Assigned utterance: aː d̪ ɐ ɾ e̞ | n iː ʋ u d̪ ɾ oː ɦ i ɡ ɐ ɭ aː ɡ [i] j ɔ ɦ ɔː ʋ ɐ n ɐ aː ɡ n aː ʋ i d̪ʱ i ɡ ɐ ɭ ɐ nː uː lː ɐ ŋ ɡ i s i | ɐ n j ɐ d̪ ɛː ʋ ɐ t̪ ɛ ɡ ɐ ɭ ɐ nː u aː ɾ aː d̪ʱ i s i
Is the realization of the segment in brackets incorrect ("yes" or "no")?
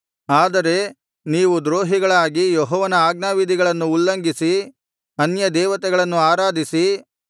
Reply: no